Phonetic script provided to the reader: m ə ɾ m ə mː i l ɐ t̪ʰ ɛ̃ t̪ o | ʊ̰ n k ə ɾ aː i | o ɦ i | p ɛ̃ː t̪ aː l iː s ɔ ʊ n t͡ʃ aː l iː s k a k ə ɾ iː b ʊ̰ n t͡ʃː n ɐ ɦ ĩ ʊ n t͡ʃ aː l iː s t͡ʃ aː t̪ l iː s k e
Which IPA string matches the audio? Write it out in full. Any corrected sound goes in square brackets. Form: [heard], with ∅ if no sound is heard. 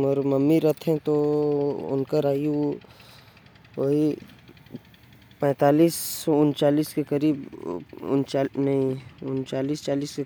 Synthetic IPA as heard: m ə ɾ m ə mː i [ɾ] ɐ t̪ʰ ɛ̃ t̪ o | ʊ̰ n k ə ɾ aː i | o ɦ i | p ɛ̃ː t̪ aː l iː s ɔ ʊ n t͡ʃ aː l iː s k [e] k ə ɾ iː b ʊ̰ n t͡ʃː n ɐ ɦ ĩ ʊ n t͡ʃ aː l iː s t͡ʃ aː [∅] l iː s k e